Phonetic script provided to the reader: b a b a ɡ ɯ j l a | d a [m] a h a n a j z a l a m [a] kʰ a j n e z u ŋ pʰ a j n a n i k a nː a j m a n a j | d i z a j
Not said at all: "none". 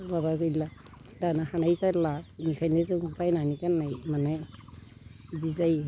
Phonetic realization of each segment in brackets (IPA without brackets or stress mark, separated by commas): n, i